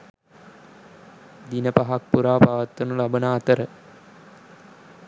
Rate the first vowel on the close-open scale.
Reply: close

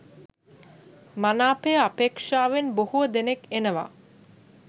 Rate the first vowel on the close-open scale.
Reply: open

